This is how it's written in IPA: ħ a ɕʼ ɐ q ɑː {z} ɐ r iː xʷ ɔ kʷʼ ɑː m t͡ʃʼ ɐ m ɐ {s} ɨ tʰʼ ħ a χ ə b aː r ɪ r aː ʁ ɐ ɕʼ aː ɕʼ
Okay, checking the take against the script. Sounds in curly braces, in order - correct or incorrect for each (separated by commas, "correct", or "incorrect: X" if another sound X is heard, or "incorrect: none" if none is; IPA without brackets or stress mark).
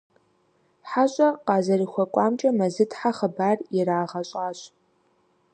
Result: correct, incorrect: z